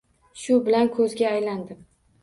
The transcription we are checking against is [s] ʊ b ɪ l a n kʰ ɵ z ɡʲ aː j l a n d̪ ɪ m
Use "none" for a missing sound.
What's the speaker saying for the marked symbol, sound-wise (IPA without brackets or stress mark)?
ʃ